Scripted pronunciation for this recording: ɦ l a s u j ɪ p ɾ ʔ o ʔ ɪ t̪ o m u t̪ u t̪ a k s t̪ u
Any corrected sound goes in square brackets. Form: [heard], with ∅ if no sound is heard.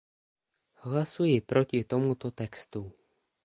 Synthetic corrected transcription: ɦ l a s u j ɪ p ɾ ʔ o [c] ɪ t̪ o m u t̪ [o] t̪ [ɛ] k s t̪ u